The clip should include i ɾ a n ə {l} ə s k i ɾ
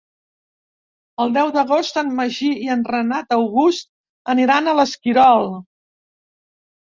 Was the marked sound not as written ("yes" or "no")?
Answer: no